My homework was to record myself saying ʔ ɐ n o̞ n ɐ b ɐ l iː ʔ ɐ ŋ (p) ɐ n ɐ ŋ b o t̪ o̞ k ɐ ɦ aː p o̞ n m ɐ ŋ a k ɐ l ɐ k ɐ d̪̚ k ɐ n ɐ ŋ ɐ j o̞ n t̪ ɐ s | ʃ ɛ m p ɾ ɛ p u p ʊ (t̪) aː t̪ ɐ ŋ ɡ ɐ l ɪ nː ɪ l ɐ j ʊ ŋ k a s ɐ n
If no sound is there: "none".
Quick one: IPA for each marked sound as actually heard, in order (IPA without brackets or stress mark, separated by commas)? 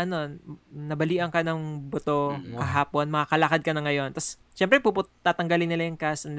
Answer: k, t̪